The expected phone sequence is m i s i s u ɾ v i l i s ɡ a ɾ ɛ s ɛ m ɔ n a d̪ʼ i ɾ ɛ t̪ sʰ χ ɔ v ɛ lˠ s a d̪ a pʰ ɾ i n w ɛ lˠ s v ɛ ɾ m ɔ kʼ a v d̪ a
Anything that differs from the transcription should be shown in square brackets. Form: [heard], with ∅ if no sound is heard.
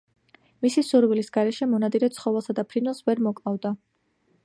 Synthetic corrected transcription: m i s i s u ɾ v i l i s ɡ a ɾ ɛ [ʃ] ɛ m ɔ n a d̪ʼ i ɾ ɛ t̪ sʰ χ ɔ v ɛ lˠ s a d̪ a pʰ ɾ i n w ɛ lˠ s v ɛ ɾ m ɔ kʼ a v d̪ a